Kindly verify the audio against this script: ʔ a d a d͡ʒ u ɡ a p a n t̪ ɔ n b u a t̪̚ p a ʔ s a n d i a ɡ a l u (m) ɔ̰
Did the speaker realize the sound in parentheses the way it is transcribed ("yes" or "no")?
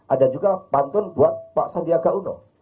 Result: no